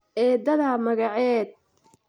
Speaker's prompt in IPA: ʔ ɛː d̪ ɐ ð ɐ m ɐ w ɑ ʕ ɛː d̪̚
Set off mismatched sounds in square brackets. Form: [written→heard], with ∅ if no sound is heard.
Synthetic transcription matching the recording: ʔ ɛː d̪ ɐ ð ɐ m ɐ [w→ɣ] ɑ ʕ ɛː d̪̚